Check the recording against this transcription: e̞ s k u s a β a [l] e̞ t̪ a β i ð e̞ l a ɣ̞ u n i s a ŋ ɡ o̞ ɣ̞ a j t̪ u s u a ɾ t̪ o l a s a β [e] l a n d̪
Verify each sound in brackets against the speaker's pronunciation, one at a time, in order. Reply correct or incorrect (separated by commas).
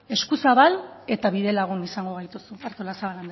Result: correct, incorrect